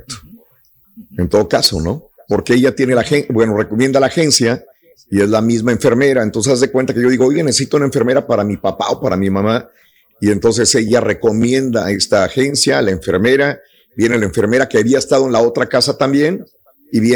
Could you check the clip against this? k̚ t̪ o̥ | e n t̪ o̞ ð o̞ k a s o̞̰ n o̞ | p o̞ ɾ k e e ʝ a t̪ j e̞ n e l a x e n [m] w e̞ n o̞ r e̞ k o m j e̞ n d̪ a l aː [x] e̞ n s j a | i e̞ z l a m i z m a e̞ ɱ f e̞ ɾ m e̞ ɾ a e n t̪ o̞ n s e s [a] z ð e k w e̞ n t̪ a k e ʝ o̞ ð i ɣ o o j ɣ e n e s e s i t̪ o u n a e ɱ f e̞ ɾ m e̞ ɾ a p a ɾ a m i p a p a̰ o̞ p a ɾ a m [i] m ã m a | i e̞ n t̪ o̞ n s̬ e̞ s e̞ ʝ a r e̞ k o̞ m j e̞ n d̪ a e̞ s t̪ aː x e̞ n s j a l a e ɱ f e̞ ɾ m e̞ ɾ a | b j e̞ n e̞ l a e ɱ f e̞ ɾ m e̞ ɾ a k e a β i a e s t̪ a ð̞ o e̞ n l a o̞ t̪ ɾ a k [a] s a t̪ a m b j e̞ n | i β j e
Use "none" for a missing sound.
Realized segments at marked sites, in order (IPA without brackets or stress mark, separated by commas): b, x, a, i, a